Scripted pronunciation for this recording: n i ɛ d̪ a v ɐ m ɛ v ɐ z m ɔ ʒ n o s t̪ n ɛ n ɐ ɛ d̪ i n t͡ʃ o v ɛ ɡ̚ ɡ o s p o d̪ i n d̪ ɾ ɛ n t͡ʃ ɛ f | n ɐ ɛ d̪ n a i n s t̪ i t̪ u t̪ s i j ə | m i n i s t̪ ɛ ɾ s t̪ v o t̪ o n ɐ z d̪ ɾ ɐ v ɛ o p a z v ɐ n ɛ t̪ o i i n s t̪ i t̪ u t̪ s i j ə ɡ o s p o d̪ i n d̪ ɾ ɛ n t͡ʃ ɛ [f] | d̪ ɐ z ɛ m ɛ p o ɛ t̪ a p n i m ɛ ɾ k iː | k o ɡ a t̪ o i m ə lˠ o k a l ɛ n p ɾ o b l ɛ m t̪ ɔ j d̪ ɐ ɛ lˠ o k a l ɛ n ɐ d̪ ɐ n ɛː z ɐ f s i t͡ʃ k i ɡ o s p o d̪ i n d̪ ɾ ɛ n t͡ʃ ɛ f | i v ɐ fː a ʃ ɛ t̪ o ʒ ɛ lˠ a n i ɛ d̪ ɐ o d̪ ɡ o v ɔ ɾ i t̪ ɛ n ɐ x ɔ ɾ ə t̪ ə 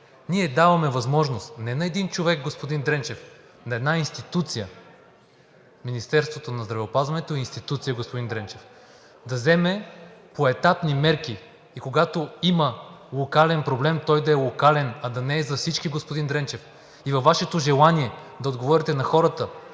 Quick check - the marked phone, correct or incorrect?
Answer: correct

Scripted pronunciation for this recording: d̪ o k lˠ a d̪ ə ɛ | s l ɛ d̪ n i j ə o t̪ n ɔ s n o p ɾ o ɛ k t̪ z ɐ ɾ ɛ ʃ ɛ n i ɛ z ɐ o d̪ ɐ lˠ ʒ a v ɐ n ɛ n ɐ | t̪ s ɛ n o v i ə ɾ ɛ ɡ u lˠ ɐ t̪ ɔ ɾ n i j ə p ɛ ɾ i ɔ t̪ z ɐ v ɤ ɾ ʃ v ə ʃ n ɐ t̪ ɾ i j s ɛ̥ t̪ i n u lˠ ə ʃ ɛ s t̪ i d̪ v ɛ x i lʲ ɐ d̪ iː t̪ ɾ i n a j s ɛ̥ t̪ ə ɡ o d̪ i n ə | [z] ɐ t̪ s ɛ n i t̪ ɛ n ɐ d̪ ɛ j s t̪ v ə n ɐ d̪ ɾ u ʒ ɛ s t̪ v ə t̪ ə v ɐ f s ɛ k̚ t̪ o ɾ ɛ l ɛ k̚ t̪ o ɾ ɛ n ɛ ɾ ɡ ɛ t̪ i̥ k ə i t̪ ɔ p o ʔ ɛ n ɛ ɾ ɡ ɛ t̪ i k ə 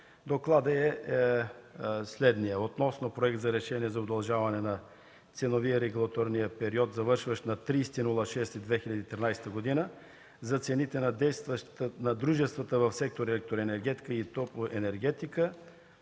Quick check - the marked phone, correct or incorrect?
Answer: correct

